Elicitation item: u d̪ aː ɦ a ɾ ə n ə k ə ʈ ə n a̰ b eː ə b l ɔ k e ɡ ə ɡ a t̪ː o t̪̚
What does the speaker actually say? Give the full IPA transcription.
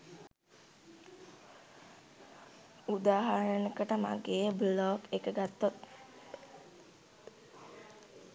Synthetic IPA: u d̪ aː ɦ a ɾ ə n ə k ə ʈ ə m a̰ ɡ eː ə b l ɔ k e k ə ɡ a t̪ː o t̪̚